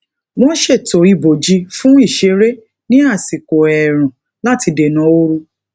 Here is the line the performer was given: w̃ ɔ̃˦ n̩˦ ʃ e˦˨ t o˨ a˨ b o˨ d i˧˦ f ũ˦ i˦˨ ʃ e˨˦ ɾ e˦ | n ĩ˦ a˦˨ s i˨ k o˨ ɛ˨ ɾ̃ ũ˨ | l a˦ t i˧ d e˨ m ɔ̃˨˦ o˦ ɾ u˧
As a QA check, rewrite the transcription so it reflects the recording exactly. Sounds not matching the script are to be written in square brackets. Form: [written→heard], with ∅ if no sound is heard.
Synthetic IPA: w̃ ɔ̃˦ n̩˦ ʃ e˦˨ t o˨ [a˨→i˨] b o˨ [d→d͡ʒ] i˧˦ f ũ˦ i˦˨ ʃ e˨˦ ɾ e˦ | n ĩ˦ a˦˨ s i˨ k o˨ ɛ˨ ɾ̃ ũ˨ | l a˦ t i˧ d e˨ [m→n] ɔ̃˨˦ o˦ ɾ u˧